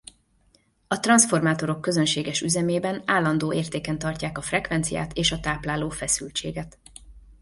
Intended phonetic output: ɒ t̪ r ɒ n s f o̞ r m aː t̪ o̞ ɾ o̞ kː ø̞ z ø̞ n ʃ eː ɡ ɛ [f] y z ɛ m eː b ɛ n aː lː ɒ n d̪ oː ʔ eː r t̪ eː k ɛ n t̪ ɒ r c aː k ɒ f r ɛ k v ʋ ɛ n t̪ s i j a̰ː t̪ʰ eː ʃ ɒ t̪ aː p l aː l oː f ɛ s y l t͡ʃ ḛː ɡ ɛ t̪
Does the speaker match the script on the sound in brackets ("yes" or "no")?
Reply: no